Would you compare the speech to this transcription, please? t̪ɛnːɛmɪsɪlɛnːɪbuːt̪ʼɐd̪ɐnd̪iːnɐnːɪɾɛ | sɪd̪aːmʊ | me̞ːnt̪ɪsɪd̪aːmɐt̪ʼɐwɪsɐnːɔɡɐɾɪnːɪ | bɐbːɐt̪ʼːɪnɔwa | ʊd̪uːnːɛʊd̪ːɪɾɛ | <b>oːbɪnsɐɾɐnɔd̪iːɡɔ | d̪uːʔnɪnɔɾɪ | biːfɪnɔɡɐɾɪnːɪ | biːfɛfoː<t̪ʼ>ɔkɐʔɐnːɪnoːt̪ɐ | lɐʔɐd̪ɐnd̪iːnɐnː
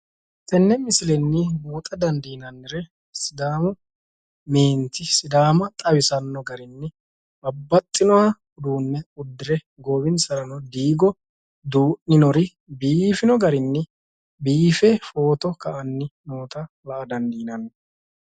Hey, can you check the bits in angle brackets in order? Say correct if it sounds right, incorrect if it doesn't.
incorrect: ɡ, incorrect: t̪

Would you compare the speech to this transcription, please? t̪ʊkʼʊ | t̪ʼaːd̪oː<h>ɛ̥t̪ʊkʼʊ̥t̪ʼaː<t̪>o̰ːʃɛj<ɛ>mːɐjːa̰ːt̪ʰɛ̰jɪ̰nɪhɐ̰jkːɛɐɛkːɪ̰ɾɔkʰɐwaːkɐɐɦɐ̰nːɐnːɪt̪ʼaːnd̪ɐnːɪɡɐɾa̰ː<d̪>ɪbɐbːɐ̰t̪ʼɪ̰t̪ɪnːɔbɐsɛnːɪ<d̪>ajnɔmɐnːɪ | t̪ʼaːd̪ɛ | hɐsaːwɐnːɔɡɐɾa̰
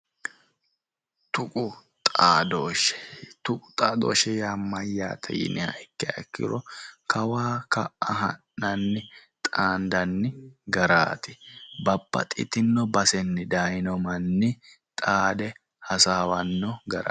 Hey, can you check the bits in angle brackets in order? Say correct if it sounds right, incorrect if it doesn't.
incorrect: ʃ, incorrect: d̪, incorrect: a, incorrect: t̪, correct

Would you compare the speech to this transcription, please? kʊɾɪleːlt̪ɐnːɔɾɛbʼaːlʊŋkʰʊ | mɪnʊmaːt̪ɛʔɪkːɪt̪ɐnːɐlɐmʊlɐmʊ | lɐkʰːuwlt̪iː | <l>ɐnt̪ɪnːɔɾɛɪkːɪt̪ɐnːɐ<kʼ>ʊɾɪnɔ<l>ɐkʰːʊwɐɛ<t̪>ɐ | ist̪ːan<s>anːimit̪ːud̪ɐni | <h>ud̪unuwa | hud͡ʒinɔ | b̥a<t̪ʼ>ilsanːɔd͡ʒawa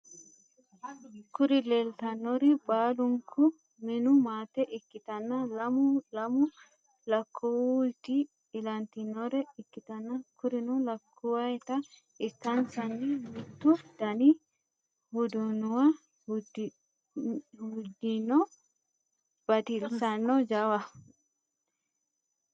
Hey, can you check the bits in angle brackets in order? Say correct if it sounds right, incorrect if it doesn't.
correct, incorrect: k, correct, correct, correct, correct, incorrect: t̪

